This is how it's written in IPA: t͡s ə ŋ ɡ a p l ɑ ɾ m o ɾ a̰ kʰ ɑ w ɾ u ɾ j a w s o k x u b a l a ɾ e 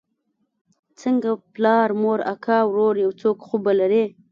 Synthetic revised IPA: t͡s ə ŋ ɡ a p l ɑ ɾ m o ɾ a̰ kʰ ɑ w ɾ o ɾ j a w t͡s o k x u b a l a ɾ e